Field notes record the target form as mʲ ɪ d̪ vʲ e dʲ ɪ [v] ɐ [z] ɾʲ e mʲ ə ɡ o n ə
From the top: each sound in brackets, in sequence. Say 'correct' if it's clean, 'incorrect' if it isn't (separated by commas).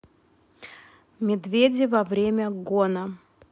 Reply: correct, incorrect